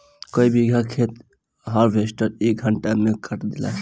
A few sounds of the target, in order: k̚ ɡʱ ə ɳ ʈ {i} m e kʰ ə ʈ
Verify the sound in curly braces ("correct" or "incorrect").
incorrect